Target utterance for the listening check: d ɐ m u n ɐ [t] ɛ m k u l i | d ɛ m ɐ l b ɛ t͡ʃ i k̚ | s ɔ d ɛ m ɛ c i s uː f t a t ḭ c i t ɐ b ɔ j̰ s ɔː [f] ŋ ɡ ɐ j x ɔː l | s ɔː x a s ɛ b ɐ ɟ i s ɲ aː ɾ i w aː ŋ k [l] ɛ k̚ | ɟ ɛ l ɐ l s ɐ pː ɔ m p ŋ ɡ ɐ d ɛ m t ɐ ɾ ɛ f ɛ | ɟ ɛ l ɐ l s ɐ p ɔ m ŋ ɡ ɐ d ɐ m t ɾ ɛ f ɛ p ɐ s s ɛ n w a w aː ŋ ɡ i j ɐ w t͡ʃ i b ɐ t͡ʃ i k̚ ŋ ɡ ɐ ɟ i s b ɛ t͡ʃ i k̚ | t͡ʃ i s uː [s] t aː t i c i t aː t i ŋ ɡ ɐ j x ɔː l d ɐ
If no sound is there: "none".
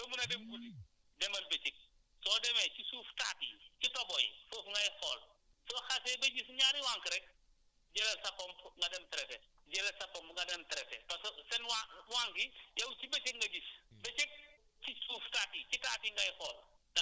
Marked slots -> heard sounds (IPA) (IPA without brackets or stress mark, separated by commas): d, f, ɾ, f